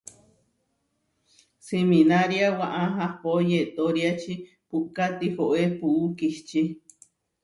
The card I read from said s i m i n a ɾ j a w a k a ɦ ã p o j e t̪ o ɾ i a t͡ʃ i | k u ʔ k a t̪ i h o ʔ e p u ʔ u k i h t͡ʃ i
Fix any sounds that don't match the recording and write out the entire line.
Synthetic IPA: s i m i n a ɾ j a w a ʔ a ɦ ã p o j e t̪ o ɾ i a t͡ʃ i | p u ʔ k a t̪ i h o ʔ e p u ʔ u k i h t͡ʃ i